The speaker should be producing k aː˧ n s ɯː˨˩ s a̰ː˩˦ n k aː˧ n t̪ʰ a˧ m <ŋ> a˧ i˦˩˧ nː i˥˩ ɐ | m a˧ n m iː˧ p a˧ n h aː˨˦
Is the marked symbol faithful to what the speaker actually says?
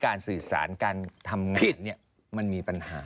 yes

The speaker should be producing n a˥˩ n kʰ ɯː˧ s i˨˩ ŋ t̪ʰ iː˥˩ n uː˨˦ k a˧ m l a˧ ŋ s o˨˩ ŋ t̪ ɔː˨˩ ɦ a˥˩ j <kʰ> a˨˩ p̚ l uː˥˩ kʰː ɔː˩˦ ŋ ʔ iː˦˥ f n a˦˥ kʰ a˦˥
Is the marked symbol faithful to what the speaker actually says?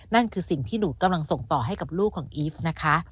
no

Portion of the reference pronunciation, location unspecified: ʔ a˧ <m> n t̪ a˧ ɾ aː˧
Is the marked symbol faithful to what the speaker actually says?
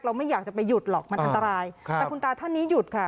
no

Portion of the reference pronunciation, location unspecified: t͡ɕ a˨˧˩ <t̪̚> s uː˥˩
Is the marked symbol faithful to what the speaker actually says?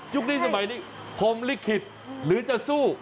no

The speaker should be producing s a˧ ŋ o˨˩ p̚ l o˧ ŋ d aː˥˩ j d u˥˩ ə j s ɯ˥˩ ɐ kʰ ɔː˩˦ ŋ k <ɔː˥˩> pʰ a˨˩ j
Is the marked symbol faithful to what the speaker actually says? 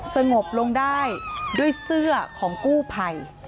no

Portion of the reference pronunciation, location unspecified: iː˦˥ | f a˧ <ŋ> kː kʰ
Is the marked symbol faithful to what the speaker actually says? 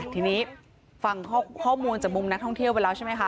yes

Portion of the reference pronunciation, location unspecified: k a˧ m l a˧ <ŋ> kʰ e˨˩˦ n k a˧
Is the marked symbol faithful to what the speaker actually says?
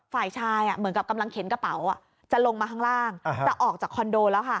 yes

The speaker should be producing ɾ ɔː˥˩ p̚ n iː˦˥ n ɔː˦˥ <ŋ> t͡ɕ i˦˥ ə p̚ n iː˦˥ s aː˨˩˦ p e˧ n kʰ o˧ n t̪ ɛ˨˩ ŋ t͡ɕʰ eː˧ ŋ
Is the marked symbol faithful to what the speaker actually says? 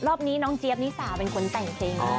yes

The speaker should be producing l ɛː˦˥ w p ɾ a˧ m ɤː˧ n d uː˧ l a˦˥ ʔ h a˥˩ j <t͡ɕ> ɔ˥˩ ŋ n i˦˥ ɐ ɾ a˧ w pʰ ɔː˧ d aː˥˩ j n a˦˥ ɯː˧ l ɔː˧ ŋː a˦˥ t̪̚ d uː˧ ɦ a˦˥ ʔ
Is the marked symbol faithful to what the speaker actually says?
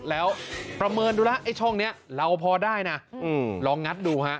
no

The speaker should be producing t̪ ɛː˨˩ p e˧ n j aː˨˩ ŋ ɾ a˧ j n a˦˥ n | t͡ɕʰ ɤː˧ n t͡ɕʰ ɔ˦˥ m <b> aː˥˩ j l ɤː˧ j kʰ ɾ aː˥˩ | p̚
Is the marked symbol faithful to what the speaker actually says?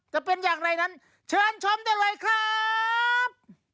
no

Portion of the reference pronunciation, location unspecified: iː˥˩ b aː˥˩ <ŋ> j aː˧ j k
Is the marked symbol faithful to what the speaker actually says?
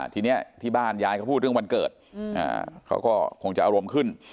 no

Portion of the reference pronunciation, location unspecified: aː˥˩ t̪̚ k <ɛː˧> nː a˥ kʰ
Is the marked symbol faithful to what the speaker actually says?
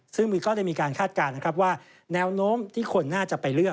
no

